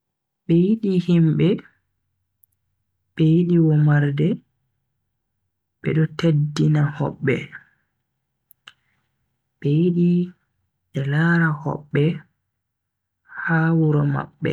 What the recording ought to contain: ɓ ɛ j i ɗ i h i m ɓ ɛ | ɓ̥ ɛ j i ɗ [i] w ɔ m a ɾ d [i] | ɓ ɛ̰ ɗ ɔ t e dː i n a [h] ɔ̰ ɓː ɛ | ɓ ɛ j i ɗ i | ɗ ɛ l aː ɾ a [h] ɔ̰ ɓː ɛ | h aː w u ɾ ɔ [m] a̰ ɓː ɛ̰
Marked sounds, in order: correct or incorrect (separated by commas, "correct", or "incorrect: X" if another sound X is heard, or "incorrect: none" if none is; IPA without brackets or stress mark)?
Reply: correct, incorrect: ɛ, correct, correct, correct